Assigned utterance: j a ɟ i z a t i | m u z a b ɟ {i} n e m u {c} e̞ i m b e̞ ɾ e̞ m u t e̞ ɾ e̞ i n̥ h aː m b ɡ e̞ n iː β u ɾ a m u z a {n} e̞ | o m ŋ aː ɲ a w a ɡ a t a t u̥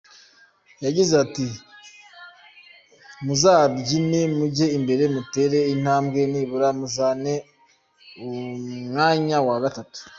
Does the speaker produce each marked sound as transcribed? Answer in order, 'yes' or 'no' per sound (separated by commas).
yes, no, yes